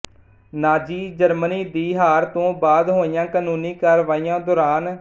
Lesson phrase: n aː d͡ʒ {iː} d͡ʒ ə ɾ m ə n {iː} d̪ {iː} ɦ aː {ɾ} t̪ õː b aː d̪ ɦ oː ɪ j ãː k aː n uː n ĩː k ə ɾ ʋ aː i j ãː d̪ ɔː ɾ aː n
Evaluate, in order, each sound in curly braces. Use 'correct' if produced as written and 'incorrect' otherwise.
correct, correct, correct, correct

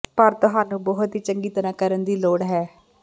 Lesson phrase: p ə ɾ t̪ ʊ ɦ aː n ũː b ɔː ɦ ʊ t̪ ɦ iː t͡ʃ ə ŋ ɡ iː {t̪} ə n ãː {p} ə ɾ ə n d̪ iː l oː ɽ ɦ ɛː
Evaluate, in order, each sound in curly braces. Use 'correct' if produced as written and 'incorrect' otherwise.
correct, incorrect: k

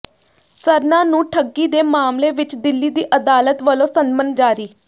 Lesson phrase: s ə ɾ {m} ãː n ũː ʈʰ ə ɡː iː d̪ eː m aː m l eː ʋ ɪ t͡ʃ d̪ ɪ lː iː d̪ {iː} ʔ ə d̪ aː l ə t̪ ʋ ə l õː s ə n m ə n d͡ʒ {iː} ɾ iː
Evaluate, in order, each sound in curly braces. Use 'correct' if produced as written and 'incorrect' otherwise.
incorrect: n, correct, incorrect: aː

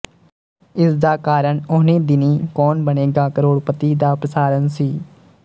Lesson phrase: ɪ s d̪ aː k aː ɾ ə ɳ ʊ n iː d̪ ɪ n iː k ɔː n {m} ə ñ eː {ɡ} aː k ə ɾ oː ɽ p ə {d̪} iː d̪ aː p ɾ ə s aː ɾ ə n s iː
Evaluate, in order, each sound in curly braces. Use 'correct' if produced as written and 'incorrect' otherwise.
incorrect: b, correct, incorrect: t̪

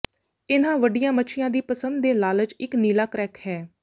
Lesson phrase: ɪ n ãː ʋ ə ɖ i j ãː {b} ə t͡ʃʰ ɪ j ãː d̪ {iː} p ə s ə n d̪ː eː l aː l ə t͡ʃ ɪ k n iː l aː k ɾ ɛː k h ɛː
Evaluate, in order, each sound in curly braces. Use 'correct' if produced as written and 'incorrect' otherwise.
incorrect: m, correct

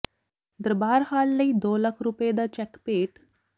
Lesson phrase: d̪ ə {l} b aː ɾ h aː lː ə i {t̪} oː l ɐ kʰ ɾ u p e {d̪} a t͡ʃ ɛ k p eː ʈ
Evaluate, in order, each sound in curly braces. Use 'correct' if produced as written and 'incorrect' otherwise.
incorrect: ɾ, incorrect: d̪, correct

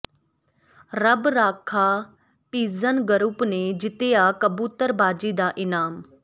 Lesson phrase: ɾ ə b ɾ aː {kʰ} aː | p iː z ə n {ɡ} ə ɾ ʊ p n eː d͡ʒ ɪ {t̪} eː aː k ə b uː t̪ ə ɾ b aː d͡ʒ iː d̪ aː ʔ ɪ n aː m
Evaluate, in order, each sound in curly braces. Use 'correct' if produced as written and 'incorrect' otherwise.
correct, correct, correct

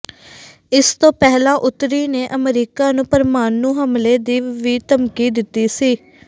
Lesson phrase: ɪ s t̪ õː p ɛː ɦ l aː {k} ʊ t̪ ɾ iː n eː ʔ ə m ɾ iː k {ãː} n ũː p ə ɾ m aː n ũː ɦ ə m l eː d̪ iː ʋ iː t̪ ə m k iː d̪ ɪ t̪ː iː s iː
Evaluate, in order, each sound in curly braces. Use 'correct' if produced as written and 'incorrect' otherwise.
incorrect: ʔ, incorrect: aː

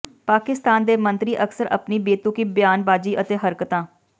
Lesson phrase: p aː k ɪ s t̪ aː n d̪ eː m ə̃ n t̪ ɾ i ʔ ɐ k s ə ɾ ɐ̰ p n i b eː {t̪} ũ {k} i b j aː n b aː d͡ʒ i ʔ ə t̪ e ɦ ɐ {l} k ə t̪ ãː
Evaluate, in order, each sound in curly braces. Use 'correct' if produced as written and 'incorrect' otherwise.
correct, correct, incorrect: ɾ

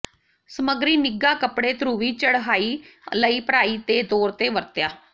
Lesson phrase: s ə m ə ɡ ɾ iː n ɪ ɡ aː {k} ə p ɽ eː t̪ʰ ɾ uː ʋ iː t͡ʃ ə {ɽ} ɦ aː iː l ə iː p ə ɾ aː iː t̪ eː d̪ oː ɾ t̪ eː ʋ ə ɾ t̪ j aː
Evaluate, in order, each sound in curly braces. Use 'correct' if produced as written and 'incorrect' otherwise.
correct, correct

